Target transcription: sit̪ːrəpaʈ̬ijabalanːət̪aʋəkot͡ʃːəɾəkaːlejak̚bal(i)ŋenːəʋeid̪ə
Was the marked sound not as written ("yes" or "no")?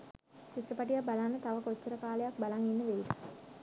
yes